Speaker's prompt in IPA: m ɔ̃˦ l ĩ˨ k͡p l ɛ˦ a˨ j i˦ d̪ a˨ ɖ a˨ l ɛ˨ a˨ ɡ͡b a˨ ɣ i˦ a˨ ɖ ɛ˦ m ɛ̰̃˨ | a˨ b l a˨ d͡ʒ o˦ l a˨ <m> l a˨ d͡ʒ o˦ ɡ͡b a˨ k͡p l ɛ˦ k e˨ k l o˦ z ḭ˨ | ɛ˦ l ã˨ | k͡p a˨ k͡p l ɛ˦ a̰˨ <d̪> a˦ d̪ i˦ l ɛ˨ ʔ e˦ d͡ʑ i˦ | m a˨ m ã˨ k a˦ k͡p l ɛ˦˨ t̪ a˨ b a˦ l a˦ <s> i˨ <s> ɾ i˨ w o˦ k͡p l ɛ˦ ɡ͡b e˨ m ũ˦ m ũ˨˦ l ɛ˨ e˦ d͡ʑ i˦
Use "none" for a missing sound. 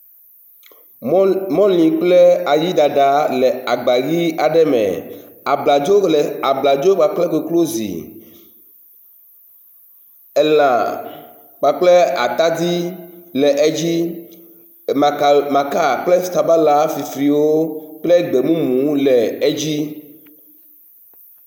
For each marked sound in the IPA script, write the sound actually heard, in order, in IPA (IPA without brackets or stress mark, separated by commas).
b, t̪, f, f